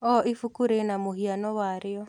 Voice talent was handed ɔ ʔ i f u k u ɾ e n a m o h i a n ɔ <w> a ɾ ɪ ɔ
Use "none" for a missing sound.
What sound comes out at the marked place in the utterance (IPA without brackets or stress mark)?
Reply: w